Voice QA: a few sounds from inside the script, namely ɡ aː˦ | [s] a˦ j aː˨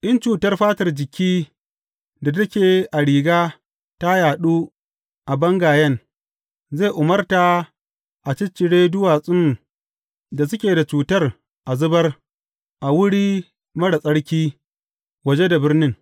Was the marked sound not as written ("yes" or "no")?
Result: yes